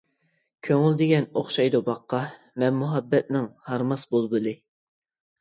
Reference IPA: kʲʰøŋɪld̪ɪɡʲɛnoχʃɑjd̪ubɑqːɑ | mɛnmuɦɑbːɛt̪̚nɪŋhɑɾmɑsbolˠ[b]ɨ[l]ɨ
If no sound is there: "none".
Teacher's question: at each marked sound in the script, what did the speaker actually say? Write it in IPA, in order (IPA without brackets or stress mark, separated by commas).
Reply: b, l